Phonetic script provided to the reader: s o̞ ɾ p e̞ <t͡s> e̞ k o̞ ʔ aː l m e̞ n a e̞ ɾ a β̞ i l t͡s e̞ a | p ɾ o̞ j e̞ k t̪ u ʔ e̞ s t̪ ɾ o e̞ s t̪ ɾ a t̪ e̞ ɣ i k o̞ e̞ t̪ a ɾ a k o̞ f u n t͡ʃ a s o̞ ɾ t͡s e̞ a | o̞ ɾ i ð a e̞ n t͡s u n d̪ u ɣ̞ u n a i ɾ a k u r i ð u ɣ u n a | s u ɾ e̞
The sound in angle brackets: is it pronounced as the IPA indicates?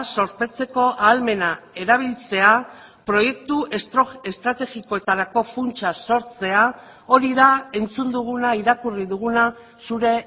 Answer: yes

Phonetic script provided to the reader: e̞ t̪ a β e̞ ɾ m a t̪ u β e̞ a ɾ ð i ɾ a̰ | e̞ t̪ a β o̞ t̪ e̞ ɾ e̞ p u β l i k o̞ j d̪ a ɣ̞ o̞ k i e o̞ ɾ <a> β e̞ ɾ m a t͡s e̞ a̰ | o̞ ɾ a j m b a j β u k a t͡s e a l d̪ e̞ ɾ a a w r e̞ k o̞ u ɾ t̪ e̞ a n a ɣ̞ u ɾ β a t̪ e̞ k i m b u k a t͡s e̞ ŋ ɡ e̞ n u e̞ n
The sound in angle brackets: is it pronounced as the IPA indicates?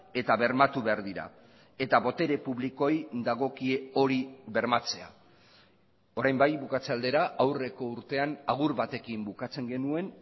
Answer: no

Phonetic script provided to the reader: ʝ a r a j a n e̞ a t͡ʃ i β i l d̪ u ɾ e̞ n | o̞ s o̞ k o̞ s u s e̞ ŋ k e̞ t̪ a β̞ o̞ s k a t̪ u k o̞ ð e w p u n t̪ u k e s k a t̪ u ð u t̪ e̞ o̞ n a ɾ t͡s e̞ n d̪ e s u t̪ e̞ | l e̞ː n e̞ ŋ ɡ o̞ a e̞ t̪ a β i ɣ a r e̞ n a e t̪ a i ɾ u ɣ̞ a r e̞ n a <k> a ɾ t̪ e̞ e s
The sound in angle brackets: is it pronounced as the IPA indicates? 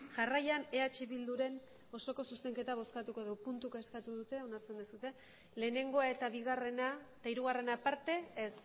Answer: no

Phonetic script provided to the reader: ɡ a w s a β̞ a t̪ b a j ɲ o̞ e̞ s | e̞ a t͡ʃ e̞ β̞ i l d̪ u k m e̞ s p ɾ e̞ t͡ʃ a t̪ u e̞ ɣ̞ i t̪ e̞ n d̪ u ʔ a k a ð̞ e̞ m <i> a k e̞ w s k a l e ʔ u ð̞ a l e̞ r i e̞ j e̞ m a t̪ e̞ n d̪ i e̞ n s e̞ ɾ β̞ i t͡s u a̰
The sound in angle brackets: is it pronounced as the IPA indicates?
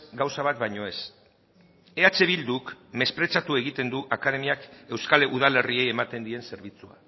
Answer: yes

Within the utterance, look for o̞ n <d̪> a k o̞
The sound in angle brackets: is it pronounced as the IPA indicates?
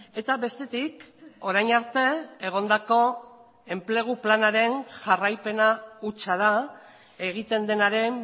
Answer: yes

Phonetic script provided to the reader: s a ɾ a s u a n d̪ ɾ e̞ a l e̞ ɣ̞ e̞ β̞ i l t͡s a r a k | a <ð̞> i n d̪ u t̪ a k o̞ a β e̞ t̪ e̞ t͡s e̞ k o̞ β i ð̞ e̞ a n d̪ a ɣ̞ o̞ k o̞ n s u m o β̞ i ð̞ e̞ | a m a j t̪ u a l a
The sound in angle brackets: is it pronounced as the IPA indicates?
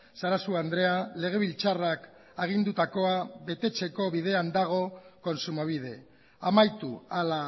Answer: no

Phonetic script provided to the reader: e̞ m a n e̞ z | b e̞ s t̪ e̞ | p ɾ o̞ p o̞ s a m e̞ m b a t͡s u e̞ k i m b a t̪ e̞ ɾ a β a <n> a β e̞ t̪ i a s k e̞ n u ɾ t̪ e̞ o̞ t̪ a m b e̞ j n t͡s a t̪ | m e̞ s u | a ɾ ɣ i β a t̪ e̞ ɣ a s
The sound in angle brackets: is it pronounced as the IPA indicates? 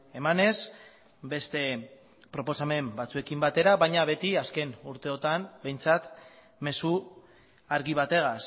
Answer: no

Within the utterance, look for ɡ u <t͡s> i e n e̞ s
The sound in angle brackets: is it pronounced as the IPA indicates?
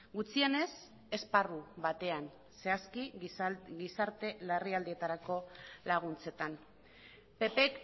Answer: yes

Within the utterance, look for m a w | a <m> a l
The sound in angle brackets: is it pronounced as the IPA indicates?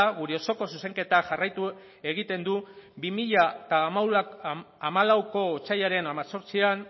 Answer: yes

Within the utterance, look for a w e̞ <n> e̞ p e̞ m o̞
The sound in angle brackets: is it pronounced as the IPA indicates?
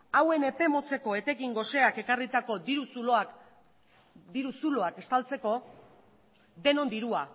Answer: yes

